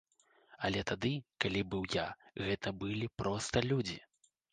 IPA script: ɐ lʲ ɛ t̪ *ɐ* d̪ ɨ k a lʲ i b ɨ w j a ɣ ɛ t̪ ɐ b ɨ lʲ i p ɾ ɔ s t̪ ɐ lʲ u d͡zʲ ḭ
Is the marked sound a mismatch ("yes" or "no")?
yes